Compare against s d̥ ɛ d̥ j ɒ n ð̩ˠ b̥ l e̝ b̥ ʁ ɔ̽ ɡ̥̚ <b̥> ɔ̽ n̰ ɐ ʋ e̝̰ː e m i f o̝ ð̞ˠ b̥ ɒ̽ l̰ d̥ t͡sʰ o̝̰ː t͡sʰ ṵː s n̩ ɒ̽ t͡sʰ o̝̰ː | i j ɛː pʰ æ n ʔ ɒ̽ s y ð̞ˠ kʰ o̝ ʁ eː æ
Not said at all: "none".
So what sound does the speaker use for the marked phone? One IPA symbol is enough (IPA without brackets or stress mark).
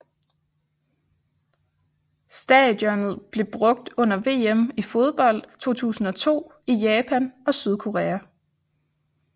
d̥